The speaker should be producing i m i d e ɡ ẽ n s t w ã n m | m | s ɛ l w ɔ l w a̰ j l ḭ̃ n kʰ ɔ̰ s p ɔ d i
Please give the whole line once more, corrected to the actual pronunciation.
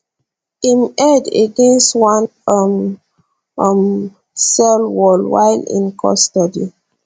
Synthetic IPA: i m ɛ d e ɡ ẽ n s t w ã n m | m | s ɛ l w ɔ l w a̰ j l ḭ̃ n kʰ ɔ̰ s t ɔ d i